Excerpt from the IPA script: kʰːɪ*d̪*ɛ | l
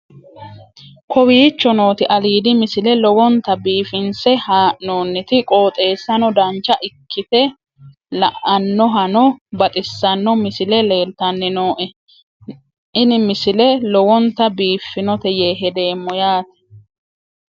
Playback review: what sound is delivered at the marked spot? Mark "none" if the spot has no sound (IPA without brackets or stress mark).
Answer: t̪